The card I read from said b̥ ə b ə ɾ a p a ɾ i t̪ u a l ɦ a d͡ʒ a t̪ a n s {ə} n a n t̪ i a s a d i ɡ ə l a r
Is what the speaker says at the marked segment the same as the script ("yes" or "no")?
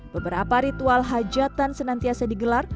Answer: yes